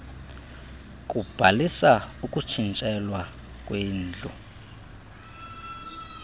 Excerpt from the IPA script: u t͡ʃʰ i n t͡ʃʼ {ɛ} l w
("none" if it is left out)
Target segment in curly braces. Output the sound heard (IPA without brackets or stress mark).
ɛ